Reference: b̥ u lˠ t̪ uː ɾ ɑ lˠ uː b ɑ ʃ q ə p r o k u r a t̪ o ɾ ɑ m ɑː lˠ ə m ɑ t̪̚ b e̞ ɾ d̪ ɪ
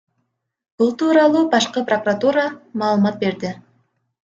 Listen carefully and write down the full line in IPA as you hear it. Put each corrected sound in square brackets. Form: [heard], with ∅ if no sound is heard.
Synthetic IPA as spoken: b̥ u lˠ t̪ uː ɾ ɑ lˠ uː b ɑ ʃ q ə p r o k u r a t̪ [u] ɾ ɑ m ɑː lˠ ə m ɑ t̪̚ b e̞ ɾ d̪ ɪ